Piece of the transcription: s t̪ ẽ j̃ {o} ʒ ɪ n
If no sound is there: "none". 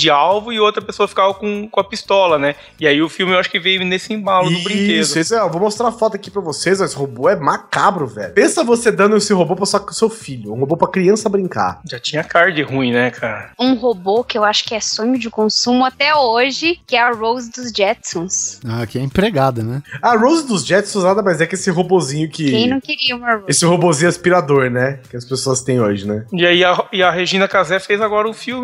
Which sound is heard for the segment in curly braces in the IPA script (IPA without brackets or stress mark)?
o